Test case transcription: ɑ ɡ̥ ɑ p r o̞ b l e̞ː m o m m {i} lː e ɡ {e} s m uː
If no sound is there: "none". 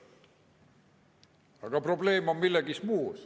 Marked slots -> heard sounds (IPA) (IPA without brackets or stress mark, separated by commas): i, i